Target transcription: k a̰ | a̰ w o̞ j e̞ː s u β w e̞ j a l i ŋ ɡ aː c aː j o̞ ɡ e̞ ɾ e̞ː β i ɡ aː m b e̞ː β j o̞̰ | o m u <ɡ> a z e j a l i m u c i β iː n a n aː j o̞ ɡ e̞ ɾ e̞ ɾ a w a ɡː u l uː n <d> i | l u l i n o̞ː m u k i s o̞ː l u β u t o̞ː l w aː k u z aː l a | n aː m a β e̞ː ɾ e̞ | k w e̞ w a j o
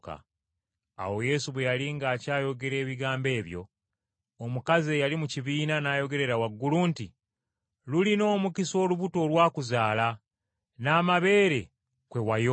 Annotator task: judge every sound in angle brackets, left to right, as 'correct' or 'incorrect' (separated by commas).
incorrect, incorrect